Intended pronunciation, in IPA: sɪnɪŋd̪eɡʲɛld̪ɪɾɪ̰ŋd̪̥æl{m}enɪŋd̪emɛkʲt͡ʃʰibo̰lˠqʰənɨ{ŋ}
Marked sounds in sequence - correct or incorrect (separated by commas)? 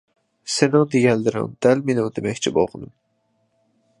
correct, incorrect